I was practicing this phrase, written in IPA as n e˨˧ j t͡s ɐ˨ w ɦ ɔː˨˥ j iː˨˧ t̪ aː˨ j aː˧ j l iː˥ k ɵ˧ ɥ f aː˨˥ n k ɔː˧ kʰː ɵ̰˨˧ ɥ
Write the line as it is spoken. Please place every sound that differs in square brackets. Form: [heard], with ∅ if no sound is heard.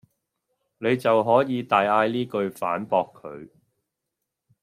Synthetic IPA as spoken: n e˨˧ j t͡s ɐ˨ w ɦ ɔː˨˥ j iː˨˧ t̪ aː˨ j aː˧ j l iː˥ k ɵ˧ ɥ f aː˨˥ n [p] ɔː˧ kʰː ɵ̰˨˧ ɥ